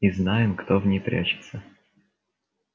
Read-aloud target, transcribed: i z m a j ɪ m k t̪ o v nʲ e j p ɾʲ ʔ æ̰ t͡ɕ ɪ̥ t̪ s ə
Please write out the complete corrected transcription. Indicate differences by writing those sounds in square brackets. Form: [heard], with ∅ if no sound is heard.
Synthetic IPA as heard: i z [n] a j ɪ m k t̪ o v nʲ e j p ɾʲ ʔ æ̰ t͡ɕ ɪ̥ t̪ s ə